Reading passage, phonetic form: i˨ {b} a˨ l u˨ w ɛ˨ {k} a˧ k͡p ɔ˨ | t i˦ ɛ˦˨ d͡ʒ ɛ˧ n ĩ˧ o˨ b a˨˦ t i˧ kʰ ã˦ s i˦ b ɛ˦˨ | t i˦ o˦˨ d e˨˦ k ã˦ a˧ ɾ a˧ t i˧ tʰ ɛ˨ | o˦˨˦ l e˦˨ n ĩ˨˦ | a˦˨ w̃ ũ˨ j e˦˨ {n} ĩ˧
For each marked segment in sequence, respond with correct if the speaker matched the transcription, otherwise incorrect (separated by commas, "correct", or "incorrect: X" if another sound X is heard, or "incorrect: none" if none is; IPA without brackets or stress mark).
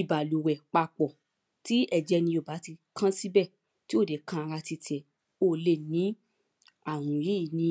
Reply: correct, incorrect: k͡p, correct